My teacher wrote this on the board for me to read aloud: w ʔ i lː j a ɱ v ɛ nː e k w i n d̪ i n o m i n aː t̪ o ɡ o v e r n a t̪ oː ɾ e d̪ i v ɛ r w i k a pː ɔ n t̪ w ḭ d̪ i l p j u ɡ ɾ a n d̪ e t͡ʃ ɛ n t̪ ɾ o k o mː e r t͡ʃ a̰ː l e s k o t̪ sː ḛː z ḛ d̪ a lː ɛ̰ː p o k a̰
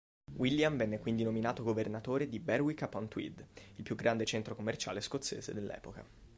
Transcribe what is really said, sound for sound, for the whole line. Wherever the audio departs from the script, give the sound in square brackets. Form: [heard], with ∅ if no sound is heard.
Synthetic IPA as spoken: w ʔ i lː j a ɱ v ɛ nː e k w i n d̪ i n o m i n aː t̪ o ɡ o v e r n a t̪ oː ɾ e d̪ i [b] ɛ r w i k a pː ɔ n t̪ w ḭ d̪ i l p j u ɡ ɾ a n d̪ e t͡ʃ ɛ n t̪ ɾ o k o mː e r t͡ʃ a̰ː l e s k o t̪ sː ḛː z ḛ d̪ [e] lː ɛ̰ː p o k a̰